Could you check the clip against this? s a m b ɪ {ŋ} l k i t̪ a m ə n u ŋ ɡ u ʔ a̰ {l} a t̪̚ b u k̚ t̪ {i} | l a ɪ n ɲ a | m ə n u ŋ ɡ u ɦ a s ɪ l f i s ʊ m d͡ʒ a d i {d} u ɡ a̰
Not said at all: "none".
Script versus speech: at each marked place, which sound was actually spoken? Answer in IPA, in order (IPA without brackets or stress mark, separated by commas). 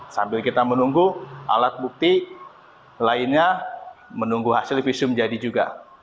none, l, i, d͡ʒ